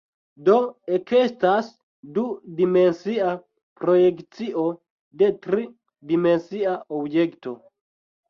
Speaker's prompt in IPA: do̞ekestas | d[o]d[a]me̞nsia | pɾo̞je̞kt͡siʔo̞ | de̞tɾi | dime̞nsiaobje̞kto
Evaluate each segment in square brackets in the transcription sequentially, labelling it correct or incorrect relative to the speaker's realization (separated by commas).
incorrect, incorrect